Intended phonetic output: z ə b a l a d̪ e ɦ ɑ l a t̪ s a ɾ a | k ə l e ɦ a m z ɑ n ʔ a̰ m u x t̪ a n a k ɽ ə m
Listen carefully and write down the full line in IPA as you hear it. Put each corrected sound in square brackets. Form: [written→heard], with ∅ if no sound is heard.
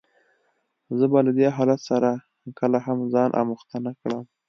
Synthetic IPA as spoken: z ə b a l a d̪ e ɦ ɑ l a t̪ s a ɾ a | k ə l [e→a] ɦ a m z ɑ n ʔ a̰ m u x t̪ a n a k ɽ ə m